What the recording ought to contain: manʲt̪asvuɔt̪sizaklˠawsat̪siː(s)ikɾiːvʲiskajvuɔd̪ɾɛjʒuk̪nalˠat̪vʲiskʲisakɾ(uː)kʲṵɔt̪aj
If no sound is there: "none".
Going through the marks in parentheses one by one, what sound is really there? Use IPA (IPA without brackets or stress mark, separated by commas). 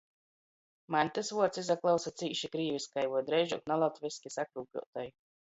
ʃ, uː